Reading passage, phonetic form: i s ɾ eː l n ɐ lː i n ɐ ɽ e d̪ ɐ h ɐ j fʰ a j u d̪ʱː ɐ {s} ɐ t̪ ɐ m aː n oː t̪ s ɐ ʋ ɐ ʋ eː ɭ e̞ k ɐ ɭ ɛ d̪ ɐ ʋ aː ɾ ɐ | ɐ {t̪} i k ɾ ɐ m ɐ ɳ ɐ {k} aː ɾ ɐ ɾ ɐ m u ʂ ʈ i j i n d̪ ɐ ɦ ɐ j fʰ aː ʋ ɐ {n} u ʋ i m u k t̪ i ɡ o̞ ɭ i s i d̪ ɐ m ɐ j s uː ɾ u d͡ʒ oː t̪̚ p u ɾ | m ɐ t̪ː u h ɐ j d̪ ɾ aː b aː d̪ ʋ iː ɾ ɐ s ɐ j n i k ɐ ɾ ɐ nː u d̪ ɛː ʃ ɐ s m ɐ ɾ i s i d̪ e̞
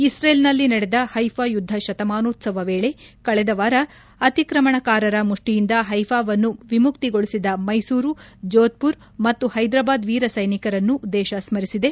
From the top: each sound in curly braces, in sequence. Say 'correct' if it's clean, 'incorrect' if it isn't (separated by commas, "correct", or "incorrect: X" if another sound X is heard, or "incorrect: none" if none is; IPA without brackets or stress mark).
incorrect: ʃ, correct, correct, incorrect: nː